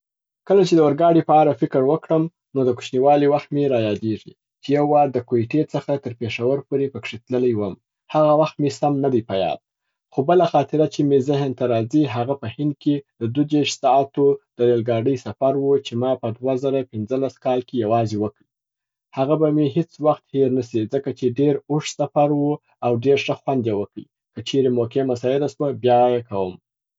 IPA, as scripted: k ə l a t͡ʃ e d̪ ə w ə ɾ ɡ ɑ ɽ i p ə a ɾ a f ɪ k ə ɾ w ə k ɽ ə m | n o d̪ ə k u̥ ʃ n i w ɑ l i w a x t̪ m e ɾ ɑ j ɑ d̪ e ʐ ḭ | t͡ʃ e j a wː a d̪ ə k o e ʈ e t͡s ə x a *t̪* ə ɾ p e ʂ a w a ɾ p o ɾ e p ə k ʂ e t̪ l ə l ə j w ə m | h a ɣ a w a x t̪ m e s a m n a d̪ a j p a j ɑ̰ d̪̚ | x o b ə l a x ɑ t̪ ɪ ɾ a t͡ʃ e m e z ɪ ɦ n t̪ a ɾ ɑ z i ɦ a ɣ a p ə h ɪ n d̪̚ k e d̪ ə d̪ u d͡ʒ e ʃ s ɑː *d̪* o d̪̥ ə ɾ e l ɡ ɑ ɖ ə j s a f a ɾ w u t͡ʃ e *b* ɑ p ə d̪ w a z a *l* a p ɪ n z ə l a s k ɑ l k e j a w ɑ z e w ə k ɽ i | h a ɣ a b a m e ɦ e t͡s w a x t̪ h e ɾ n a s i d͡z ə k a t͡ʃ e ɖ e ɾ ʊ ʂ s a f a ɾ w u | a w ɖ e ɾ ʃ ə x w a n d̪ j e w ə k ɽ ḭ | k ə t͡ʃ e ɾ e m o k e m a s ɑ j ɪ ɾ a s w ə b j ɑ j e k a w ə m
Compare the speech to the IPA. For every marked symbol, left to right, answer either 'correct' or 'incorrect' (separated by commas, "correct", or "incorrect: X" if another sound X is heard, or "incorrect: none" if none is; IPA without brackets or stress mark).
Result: correct, incorrect: t̪, incorrect: m, incorrect: ɾ